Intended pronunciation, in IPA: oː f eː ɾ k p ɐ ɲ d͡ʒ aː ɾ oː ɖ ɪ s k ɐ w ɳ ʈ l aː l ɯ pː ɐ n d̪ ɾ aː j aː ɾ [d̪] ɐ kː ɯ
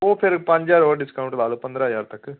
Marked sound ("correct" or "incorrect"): incorrect